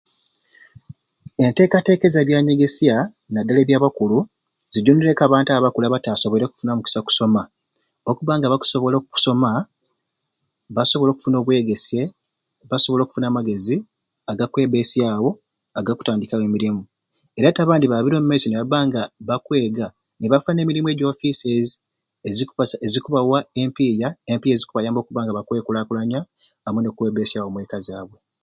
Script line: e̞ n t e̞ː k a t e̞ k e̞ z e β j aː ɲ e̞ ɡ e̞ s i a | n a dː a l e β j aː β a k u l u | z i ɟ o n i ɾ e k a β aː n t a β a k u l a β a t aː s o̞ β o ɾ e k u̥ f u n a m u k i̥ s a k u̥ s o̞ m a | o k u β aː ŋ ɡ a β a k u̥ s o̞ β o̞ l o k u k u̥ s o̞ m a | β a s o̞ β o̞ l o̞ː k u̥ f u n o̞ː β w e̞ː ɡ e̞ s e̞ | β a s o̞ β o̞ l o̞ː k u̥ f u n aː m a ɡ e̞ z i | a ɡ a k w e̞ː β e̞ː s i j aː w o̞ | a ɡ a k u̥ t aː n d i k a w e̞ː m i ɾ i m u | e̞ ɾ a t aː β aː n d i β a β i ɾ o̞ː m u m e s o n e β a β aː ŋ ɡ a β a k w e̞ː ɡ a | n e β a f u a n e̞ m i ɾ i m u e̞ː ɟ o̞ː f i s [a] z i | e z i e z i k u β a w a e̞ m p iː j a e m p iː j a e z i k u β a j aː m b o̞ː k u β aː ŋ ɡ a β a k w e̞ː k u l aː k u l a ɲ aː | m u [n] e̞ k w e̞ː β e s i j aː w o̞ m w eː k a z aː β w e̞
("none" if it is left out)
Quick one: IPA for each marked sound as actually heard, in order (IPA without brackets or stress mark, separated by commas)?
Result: e, n